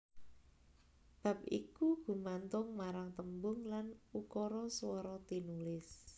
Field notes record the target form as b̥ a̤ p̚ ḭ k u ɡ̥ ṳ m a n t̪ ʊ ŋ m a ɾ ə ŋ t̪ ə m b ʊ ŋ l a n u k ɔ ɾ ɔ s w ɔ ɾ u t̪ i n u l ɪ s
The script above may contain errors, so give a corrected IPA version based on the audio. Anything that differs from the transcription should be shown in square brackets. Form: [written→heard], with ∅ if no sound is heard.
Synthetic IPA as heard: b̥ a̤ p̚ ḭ k u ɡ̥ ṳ m a n t̪ ʊ ŋ m a ɾ [ə→a] ŋ t̪ ə m b ʊ ŋ l a n u k ɔ ɾ ɔ s w ɔ ɾ [u→ɔ] t̪ i n u l ɪ s